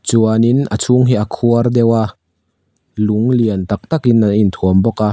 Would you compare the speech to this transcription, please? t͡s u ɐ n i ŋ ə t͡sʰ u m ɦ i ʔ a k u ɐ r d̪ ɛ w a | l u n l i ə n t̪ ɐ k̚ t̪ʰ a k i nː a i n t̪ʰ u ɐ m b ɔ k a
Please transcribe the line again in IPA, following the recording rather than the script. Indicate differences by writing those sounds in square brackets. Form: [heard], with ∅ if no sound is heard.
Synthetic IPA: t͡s u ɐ n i [n] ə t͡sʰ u [ŋ] ɦ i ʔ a [kʰ] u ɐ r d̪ ɛ w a | l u [ŋ] l i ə n t̪ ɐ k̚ [t̪] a k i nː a i n t̪ʰ u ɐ m b ɔ k a